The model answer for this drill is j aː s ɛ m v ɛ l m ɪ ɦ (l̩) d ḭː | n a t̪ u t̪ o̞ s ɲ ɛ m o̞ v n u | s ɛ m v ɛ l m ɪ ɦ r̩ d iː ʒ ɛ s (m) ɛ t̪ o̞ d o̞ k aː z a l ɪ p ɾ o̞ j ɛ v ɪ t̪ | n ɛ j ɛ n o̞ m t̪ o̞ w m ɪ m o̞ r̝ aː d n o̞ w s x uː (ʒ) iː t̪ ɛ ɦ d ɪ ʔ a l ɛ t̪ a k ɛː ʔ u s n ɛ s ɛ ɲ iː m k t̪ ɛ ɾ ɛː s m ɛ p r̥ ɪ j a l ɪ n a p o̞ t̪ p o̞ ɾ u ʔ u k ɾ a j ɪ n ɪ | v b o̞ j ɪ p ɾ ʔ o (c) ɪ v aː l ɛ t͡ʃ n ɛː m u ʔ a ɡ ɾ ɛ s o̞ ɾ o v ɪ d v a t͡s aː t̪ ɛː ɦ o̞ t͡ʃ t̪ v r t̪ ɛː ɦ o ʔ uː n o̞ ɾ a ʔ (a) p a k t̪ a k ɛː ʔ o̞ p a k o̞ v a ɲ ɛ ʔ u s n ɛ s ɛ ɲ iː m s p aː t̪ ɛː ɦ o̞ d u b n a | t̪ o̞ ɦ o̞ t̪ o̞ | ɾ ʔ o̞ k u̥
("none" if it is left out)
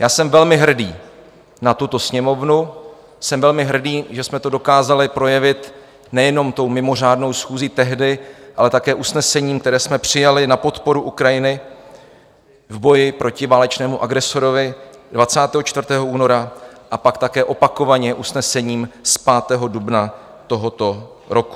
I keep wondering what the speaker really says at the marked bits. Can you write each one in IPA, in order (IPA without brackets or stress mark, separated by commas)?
r̩, m, z, c, a